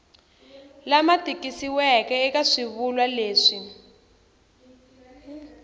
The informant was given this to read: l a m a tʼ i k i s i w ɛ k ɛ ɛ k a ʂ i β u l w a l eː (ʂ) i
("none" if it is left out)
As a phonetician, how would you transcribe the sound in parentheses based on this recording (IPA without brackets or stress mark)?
ʂ